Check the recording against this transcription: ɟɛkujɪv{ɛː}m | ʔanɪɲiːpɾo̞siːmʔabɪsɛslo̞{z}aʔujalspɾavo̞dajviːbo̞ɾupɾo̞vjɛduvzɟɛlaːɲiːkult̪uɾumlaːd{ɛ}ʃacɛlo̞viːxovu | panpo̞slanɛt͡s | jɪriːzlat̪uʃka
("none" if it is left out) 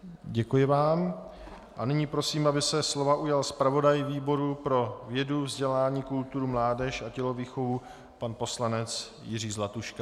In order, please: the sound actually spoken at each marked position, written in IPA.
aː, v, ɛ

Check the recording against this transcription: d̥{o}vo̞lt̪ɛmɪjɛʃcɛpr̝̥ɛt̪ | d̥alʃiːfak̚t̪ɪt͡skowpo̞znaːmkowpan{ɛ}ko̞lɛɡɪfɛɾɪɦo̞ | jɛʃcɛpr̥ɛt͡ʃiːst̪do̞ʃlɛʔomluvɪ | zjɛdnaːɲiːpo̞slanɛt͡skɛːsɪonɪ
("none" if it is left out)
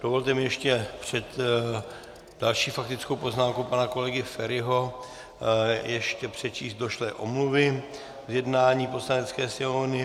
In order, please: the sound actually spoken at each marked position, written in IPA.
o, a

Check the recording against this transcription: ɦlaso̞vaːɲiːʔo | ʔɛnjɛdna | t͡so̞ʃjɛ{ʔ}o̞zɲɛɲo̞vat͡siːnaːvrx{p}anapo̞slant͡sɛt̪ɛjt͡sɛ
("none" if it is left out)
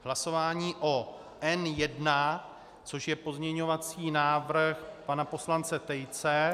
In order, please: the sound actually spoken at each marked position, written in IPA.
p, p

